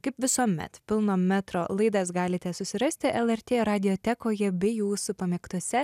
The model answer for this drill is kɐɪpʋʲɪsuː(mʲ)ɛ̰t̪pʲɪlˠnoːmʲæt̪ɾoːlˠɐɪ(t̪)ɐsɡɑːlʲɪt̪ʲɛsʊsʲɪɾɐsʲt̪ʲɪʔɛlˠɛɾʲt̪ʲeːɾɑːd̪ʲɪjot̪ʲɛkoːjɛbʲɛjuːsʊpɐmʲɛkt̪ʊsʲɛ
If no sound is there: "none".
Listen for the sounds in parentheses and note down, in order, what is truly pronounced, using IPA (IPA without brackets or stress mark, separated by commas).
mʲ, d̪